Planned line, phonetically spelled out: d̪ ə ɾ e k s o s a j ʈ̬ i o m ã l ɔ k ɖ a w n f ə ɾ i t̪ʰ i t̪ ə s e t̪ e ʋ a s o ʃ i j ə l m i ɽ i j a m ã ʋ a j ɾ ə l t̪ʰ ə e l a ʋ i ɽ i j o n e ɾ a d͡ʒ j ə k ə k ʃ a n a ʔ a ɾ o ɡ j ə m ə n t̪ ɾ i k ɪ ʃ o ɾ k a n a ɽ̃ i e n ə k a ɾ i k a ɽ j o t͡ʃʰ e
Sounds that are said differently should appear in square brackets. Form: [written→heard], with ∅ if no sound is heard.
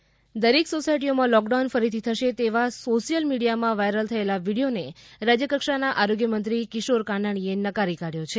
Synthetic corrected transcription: d̪ ə ɾ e k s o s a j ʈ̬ i o m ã l ɔ k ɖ a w n f ə ɾ i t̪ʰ i [t̪→t̪ʰ] ə [s→ʃ] e t̪ e ʋ a s o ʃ i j ə l m i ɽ i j a m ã ʋ a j ɾ ə l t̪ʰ ə e l a ʋ i ɽ i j o n e ɾ a d͡ʒ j ə k ə k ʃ a n a ʔ a ɾ o ɡ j ə m ə n t̪ ɾ i k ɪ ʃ o ɾ k a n a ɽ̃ i e n ə k a ɾ i k a ɽ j o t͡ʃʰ e